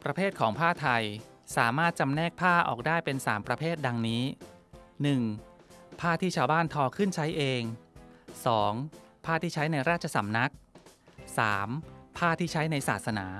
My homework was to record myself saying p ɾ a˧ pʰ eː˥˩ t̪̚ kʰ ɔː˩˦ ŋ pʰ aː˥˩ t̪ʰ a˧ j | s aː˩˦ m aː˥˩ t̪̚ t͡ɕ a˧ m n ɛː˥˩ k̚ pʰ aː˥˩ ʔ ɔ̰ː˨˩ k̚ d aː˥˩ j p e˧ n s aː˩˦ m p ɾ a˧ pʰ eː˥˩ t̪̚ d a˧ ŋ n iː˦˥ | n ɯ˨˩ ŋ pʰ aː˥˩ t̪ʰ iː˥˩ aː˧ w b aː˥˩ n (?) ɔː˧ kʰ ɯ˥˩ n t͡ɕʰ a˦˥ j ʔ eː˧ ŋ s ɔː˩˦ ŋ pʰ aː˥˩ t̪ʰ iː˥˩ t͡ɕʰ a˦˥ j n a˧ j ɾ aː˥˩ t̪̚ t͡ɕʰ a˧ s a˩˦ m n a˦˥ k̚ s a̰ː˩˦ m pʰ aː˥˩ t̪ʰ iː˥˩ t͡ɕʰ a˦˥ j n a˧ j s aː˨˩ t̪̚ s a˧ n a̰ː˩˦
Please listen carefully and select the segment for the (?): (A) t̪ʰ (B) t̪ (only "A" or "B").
A